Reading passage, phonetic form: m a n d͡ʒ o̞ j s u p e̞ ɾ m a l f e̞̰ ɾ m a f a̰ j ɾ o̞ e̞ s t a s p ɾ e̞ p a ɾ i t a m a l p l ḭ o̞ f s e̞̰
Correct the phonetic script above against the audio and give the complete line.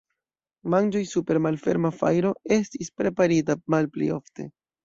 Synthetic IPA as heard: m a n d͡ʒ o̞ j s u p e̞ ɾ m a l f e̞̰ ɾ m a f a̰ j ɾ o̞ e̞ s t i s p ɾ e̞ p a ɾ i t a m a l p l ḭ o̞ f t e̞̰